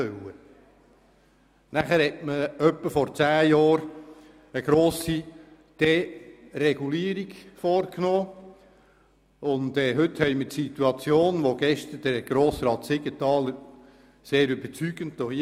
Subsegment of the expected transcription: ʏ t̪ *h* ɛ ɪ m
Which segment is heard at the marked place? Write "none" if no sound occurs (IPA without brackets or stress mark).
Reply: h